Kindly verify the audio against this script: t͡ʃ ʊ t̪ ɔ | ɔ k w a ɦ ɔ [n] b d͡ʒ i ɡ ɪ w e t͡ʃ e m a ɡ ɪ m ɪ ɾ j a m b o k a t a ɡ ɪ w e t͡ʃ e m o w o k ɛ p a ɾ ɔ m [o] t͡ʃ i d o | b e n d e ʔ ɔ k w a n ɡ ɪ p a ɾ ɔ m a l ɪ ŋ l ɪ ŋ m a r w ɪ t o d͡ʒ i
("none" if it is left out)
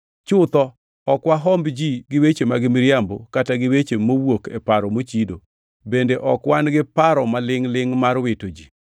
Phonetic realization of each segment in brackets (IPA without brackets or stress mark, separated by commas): m, o